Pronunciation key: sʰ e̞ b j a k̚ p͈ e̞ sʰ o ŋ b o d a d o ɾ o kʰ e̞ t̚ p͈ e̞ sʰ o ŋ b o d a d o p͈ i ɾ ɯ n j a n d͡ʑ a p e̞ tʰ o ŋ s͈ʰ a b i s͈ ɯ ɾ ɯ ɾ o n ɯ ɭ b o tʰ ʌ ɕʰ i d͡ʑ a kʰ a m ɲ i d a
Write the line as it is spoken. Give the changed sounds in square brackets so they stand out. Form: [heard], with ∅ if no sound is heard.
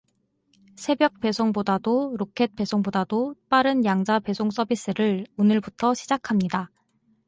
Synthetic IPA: sʰ e̞ b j [ʌ] k̚ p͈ e̞ sʰ o ŋ b o d a d o ɾ o kʰ e̞ t̚ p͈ e̞ sʰ o ŋ b o d a d o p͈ [a] ɾ ɯ n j a [ŋ] d͡ʑ a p e̞ [sʰ] o ŋ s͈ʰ [ʌ] b i s͈ ɯ ɾ ɯ [ɭ] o n ɯ ɭ b [u] tʰ ʌ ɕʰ i d͡ʑ a kʰ a m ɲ i d a